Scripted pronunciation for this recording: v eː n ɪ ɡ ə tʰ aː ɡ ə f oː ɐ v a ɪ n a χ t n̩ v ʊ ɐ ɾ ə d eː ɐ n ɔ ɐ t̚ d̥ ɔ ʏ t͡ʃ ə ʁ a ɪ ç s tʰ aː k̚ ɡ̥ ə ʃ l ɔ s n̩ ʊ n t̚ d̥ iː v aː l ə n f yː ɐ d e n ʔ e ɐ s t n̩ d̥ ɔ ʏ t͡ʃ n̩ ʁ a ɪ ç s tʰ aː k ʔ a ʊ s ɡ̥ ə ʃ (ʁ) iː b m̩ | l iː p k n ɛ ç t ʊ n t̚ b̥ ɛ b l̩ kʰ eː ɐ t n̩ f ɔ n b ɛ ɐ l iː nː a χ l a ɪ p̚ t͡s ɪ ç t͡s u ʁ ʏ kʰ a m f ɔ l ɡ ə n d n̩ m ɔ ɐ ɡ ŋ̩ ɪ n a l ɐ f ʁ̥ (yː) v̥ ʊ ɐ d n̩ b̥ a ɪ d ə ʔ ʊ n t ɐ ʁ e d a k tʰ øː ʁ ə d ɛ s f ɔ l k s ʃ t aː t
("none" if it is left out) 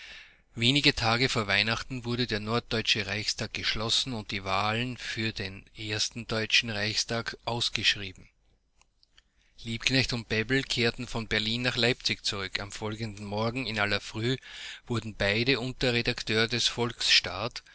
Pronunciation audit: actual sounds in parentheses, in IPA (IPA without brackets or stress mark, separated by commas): ʁ, yː